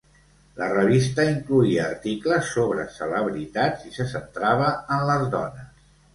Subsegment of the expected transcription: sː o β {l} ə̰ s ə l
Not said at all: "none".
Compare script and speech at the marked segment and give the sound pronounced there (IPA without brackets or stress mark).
ɾ